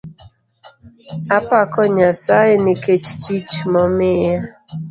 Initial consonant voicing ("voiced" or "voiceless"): voiceless